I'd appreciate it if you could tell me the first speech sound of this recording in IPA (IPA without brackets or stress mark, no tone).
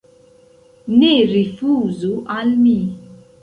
n